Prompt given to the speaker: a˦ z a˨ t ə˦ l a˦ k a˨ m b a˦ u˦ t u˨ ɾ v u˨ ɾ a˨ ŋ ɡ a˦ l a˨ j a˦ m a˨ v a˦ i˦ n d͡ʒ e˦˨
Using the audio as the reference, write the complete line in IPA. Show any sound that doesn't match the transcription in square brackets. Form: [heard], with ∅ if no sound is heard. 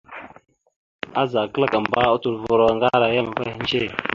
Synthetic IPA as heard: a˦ z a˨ [k] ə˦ l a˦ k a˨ m b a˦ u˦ t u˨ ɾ v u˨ ɾ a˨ ŋ ɡ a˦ [ɾ] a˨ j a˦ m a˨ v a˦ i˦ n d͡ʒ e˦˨